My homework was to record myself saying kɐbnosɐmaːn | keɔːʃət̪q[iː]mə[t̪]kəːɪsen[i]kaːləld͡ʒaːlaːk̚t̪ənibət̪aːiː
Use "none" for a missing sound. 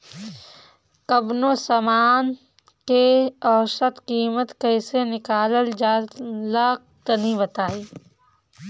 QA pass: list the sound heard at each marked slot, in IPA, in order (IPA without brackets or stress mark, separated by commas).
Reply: iː, t̪, ɪ